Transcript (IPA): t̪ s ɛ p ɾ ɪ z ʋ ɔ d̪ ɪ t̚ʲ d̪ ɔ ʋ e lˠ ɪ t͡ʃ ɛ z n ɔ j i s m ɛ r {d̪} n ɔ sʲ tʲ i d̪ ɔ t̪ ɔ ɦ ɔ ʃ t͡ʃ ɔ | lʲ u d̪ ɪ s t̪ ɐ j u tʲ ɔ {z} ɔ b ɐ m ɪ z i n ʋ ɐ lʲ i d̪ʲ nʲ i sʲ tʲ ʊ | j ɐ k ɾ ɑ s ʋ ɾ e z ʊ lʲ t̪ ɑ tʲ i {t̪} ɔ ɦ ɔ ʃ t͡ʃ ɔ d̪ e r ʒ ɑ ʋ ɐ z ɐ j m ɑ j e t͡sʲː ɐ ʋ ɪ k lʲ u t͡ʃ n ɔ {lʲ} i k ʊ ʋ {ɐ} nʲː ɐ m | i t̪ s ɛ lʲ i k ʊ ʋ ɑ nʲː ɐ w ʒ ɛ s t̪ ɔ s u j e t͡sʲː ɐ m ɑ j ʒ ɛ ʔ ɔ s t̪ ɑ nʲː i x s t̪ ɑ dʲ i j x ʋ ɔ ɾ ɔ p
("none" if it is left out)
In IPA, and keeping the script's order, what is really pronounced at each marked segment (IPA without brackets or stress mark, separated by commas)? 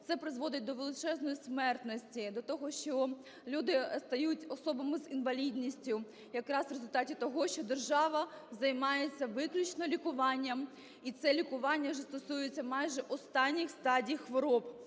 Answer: t̪, s, t̪, lʲ, ɑ